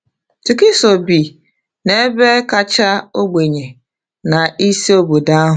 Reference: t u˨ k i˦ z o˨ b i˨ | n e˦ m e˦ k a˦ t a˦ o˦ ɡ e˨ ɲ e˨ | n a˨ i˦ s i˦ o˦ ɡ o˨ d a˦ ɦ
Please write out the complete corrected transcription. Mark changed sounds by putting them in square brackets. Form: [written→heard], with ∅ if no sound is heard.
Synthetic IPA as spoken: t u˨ k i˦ [z→s] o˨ b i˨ | n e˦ [m→b] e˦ k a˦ [t→t͡ʃ] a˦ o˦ [ɡ→ɡ͡b] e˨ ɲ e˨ | n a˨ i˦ s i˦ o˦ [ɡ→b] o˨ d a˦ ɦ